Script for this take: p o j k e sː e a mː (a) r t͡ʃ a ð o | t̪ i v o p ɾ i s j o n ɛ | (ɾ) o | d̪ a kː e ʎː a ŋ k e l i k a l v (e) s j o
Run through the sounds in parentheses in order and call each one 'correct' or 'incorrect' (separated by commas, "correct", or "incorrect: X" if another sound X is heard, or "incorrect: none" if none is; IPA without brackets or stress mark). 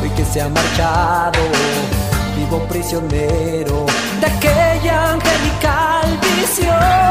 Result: correct, correct, incorrect: i